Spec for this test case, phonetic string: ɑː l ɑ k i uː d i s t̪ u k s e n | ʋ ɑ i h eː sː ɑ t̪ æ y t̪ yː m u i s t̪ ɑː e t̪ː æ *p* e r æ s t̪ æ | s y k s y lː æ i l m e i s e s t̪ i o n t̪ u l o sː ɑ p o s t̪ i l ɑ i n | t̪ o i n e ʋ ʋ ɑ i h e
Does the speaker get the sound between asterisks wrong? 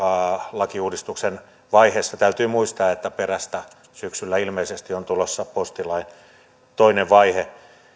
no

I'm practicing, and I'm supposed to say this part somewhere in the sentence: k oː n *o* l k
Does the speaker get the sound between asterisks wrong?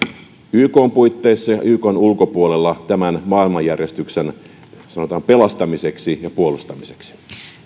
yes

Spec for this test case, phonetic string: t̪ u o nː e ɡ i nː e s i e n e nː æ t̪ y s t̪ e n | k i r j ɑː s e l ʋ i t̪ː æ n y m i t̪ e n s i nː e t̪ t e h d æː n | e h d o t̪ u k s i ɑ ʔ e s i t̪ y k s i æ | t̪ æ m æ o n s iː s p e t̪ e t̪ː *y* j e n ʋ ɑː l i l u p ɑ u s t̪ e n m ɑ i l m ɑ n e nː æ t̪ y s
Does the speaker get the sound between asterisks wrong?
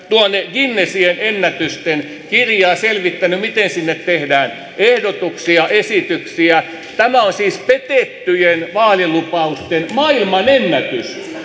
no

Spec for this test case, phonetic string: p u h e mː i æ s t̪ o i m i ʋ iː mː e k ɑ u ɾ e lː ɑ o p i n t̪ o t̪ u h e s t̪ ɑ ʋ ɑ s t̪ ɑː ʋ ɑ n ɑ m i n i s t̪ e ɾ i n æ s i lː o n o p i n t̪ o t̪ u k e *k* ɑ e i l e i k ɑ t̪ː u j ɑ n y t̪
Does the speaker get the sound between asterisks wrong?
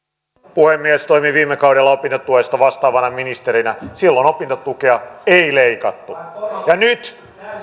yes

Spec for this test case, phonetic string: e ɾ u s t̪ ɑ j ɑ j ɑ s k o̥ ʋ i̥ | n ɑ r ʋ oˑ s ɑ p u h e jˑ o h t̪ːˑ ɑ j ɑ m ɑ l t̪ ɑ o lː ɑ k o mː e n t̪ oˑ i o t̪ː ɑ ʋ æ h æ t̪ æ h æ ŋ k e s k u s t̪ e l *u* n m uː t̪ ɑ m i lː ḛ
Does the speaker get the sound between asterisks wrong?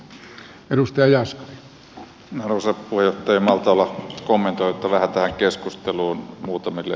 yes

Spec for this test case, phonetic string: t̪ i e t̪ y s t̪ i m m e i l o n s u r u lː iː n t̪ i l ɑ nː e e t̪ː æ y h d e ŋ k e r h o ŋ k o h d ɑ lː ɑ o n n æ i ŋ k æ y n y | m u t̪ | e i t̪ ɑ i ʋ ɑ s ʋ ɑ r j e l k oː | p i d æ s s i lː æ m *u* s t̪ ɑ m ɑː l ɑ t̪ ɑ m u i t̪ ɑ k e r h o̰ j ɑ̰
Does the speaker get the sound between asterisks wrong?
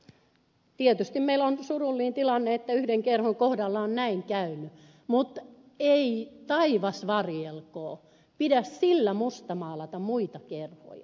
no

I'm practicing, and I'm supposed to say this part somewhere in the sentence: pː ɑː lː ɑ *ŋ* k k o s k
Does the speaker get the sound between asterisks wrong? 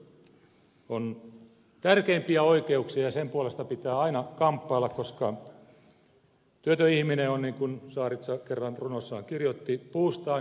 yes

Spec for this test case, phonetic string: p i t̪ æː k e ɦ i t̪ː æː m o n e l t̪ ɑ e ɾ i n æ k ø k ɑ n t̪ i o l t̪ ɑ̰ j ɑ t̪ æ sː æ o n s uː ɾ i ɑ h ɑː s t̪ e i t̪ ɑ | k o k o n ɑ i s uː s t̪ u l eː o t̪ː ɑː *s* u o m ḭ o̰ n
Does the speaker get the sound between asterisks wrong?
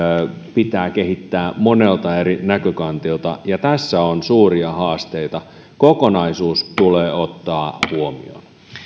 yes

